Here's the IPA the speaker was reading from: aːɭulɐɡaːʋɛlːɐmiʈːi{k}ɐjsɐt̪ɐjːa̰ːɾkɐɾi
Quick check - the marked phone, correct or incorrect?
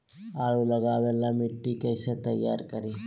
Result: correct